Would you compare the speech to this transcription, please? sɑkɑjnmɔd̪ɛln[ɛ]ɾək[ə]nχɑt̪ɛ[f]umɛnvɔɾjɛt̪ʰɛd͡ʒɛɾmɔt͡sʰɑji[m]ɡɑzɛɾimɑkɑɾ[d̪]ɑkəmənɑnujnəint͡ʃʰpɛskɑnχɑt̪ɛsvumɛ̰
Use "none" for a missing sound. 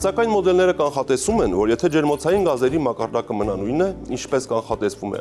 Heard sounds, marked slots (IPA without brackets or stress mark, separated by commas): ɛ, ɑ, s, n, d̪